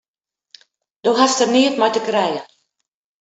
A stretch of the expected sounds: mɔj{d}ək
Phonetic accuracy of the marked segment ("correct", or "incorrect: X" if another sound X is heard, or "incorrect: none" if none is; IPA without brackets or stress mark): incorrect: t